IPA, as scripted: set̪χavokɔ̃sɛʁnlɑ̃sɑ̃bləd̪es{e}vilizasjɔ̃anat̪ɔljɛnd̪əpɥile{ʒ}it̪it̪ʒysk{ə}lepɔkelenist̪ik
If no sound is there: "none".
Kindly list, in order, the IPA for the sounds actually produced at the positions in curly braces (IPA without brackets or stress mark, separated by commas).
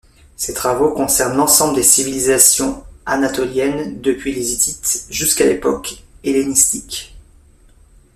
i, z, a